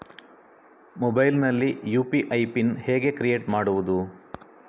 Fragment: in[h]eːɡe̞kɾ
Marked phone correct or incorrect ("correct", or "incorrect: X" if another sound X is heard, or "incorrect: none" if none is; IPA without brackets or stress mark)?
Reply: correct